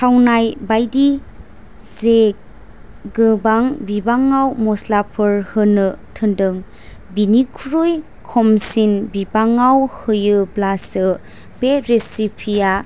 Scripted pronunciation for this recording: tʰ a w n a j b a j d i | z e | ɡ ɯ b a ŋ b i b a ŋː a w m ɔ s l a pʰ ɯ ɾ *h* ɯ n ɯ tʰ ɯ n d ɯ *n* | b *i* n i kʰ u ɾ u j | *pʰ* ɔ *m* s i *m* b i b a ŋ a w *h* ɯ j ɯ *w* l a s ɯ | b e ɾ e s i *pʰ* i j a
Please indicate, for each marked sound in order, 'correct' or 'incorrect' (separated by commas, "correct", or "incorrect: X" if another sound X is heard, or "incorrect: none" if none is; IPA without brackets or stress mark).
correct, incorrect: ŋ, correct, incorrect: kʰ, correct, incorrect: n, correct, incorrect: b, correct